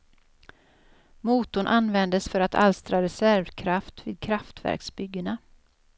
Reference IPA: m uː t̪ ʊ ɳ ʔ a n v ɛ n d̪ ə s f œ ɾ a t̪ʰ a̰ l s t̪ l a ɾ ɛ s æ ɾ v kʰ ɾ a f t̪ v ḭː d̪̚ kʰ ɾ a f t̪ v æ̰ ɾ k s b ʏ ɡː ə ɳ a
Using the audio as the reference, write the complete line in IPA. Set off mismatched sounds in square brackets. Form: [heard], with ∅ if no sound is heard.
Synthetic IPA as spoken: m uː t̪ ʊ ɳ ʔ a n v ɛ n d̪ ə s f œ ɾ a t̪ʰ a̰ l s t̪ [ɾ] a ɾ ɛ s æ ɾ v kʰ ɾ a f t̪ v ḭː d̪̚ kʰ ɾ a f t̪ v æ̰ ɾ k s b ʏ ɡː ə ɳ a